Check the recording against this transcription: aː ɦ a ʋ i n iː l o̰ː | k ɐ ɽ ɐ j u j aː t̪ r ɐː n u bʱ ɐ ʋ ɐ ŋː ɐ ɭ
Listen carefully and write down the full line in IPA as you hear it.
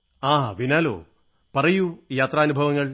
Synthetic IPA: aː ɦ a ʋ i n aː l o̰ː | p ɐ r ɐ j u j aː t̪ r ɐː n u bʱ ɐ ʋ ɐ ŋː ɐ ɭ